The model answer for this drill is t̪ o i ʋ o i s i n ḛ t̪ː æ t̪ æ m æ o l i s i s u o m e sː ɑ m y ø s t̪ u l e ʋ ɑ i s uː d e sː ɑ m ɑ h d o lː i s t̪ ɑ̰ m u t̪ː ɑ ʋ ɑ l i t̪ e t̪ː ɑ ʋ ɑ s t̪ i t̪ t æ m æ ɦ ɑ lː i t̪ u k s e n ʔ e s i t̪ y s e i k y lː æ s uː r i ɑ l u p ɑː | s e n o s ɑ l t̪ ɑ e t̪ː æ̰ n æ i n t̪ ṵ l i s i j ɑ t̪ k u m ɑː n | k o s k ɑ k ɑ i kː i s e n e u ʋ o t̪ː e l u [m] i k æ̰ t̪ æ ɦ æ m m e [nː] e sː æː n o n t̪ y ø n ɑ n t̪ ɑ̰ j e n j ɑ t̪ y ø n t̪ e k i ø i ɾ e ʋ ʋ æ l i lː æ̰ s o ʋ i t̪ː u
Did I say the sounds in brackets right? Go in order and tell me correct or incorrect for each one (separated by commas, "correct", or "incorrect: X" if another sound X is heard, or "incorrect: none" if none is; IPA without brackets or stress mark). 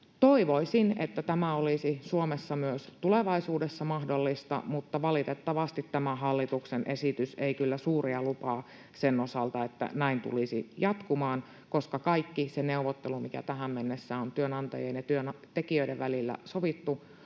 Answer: correct, correct